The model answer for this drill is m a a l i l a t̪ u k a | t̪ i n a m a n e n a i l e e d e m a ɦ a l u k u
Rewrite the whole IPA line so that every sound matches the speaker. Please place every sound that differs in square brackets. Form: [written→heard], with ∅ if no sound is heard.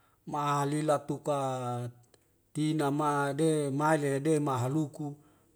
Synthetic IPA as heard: m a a l i l a t̪ u k a | t̪ i n a m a [n→d] e [n→m] a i l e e d e m a ɦ a l u k u